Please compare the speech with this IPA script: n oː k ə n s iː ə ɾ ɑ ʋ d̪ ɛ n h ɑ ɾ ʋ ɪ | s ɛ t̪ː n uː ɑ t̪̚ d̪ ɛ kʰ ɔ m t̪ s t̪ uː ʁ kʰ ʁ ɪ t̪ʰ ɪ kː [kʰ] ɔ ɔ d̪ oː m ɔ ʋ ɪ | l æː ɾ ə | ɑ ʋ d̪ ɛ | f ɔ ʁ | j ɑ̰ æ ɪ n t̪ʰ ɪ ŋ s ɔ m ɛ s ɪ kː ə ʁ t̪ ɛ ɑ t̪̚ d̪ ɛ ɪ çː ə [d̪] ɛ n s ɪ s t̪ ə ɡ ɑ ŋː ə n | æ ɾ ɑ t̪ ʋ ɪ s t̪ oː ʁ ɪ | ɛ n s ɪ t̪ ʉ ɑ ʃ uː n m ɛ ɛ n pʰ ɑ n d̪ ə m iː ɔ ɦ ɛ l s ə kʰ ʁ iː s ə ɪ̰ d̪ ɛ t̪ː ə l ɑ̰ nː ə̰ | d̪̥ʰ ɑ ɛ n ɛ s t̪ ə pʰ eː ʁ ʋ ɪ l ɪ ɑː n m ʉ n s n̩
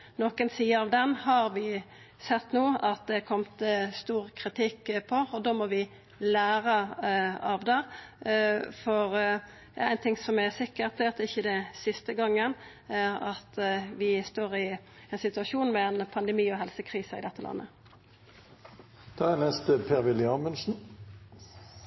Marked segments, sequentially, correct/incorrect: incorrect: pʰ, correct

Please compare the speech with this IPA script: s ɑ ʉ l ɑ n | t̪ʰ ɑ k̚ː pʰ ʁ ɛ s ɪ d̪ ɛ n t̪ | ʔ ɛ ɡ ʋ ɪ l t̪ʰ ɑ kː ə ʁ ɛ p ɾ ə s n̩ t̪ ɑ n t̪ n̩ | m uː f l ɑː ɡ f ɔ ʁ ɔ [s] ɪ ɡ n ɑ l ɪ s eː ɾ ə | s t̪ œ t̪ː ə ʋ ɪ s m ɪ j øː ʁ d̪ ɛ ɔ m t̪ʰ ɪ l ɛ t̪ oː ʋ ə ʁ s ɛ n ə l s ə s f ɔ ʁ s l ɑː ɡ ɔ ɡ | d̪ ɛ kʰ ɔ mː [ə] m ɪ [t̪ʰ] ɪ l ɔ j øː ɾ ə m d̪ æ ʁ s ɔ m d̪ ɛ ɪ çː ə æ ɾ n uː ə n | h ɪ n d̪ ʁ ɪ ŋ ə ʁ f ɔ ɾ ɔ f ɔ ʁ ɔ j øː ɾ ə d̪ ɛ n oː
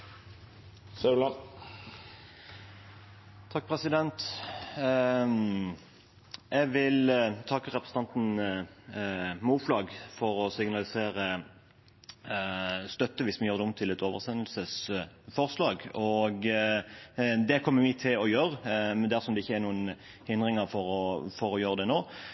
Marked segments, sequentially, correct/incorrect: correct, correct, correct

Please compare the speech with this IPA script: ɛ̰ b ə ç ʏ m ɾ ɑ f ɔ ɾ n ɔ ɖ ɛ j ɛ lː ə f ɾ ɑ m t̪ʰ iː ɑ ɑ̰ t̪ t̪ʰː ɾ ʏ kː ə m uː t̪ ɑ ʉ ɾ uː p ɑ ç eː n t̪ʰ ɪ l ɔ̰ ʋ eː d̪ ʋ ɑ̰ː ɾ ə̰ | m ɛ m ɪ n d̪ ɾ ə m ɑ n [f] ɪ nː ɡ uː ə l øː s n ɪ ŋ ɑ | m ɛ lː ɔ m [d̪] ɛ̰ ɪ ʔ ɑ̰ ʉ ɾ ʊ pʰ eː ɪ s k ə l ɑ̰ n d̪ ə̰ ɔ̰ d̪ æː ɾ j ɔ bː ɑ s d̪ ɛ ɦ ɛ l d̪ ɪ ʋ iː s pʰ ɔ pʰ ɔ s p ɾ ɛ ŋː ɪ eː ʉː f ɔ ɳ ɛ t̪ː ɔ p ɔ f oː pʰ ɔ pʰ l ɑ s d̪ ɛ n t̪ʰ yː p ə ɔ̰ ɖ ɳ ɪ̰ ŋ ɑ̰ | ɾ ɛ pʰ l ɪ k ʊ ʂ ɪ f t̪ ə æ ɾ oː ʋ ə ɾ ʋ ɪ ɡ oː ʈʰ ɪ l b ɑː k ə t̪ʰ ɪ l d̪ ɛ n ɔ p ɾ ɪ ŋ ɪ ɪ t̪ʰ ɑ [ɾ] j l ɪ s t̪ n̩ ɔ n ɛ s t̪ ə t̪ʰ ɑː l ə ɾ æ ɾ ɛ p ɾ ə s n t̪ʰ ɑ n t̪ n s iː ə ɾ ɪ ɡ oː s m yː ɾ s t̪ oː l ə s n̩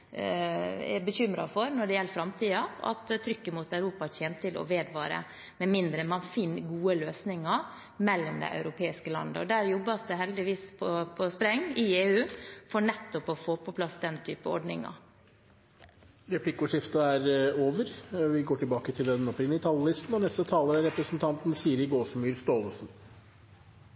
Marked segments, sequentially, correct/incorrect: correct, correct, incorrect: l

